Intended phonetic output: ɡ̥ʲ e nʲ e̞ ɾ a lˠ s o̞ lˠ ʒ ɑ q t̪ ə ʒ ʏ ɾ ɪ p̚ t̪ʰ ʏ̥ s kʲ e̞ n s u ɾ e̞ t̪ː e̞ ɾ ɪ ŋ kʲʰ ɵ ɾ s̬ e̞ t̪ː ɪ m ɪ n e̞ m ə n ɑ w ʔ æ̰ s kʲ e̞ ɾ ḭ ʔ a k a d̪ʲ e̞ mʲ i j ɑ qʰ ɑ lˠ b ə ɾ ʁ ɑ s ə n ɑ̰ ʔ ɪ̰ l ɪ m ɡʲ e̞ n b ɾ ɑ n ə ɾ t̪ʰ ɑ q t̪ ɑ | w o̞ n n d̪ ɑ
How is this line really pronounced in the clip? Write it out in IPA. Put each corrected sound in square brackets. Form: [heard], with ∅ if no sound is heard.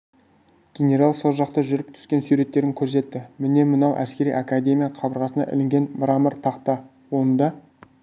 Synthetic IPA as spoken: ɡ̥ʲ e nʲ e̞ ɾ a lˠ s o̞ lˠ ʒ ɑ q t̪ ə ʒ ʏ ɾ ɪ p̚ t̪ʰ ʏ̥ s kʲ e̞ n s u ɾ e̞ t̪ː e̞ ɾ ɪ ŋ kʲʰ ɵ ɾ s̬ e̞ t̪ː ɪ m ɪ n e̞ m ə n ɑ w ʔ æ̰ s kʲ e̞ ɾ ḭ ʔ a k a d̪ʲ e̞ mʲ i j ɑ qʰ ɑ [∅] b ə ɾ ʁ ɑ s ə n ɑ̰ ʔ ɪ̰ l ɪ [ŋ] ɡʲ e̞ n b ɾ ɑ [m] ə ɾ t̪ʰ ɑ q t̪ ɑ | w o̞ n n d̪ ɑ